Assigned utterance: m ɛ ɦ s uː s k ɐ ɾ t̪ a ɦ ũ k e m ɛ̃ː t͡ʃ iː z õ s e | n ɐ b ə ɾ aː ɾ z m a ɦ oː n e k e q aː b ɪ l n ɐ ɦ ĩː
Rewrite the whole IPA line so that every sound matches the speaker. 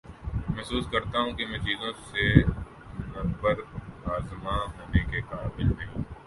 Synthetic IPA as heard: m ɛ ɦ s uː s k ɐ ɾ t̪ a ɦ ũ k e m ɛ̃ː t͡ʃ iː z õ s e | n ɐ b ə ɾ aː z m a ɦ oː n e k e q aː b ɪ l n ɐ ɦ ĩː